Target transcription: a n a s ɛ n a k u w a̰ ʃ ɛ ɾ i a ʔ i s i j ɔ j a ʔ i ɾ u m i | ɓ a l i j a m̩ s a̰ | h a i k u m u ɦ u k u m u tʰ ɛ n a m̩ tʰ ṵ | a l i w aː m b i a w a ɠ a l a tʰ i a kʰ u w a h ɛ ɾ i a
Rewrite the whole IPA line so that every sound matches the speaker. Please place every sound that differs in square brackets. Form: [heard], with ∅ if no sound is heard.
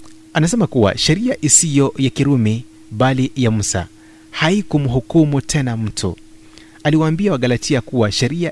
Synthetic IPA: a n a s ɛ [m] a k u w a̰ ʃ ɛ ɾ i a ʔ i s i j ɔ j a [k] i ɾ u m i | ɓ a l i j a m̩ s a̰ | h a i k u m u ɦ u k u m u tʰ ɛ n a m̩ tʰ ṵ | a l i w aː m b i a w a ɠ a l a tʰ i a [k] u w a [ʃ] ɛ ɾ i a